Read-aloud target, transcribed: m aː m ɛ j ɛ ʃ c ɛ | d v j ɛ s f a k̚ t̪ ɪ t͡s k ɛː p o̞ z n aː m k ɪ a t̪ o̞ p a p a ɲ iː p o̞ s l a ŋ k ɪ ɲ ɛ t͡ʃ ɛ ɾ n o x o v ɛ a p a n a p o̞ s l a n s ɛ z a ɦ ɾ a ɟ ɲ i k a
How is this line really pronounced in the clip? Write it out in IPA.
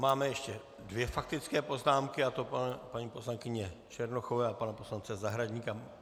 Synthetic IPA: m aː m ɛ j ɛ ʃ c ɛ | d v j ɛ f a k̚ t̪ ɪ t͡s k ɛː p o̞ z n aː m k ɪ a t̪ o̞ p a p a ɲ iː p o̞ s l a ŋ k ɪ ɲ ɛ t͡ʃ ɛ ɾ n o x o v ɛ a p a n a p o̞ s l a n t͡s ɛ z a ɦ ɾ a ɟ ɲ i k a